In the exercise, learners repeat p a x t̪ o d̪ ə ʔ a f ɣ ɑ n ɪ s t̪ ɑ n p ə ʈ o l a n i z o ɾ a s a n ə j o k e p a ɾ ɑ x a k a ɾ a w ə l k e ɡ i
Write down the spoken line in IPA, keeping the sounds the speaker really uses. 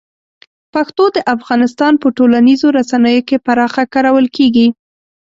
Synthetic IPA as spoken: p a x t̪ o d̪ ə ʔ a f ɣ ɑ n ɪ s t̪ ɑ n p ə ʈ o l a n i z o ɾ a s a n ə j o k e p a ɾ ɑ x a k a ɾ a w ə l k e ɡ i